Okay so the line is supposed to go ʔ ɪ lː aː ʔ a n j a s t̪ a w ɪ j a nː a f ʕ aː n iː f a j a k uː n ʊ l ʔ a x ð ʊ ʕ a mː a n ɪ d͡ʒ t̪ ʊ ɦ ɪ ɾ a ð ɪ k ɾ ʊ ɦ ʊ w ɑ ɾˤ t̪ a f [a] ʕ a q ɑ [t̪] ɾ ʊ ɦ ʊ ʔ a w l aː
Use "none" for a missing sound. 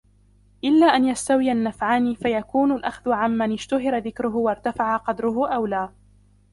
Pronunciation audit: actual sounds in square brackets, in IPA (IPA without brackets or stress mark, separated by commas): a, d̪